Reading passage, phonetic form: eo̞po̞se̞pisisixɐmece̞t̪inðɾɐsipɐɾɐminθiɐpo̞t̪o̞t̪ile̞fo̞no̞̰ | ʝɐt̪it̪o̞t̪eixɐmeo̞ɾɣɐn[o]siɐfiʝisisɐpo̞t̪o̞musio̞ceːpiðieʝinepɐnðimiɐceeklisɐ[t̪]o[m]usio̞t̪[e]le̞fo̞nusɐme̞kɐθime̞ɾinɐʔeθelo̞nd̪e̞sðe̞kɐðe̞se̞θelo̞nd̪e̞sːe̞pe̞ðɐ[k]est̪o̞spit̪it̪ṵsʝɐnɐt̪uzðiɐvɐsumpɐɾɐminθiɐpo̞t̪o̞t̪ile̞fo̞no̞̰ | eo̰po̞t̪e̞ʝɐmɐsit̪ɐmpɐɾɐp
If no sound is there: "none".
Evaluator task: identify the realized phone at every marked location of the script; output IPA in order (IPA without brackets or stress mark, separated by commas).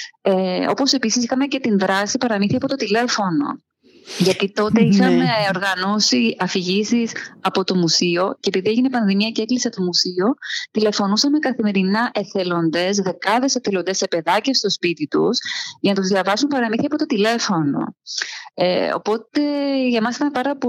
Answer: o, t̪, m, i, c